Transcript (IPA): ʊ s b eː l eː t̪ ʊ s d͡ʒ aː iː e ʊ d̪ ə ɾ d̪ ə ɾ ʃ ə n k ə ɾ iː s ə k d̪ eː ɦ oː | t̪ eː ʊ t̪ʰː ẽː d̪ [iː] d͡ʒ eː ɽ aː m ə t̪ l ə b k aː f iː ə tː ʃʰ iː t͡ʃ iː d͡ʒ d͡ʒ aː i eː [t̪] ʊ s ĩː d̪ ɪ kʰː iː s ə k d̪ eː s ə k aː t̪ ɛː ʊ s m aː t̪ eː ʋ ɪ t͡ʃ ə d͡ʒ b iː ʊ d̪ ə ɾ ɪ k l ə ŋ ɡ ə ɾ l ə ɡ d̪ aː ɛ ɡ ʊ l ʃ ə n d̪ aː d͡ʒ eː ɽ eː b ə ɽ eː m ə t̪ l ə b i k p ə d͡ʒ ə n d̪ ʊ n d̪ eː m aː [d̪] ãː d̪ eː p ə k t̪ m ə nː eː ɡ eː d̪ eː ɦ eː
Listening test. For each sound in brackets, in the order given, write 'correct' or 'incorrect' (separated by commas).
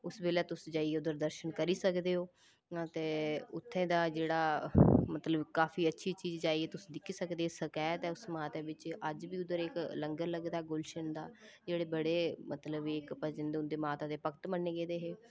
incorrect, correct, incorrect